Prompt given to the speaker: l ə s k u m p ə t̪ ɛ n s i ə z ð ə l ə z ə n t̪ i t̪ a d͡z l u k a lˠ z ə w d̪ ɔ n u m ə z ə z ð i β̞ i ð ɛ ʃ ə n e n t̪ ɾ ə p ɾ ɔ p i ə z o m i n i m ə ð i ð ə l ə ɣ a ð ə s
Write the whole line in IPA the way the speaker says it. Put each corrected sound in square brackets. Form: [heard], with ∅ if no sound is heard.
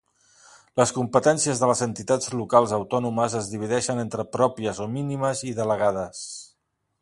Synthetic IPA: l ə s k u m p ə t̪ ɛ n s i ə z ð ə l ə z ə n t̪ i t̪ a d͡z l u k a lˠ z ə w [t̪] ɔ n u m ə z ə z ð i β̞ i ð ɛ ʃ ə n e n t̪ ɾ ə p ɾ ɔ p i ə z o m i n i m ə [z] i ð ə l ə ɣ a ð ə s